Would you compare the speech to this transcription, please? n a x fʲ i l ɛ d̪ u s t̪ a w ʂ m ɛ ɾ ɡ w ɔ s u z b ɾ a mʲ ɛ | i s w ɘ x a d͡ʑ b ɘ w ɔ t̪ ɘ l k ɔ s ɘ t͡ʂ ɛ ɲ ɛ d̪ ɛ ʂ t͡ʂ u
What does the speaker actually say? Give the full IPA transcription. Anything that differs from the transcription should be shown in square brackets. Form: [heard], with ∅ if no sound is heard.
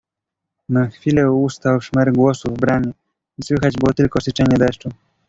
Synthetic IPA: n a x fʲ i l ɛ [∅] u s t̪ a w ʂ m ɛ ɾ ɡ w ɔ s u [v] b ɾ a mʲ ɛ | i s w ɘ x a d͡ʑ b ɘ w ɔ t̪ ɘ l k ɔ s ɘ t͡ʂ ɛ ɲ ɛ d̪ ɛ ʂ t͡ʂ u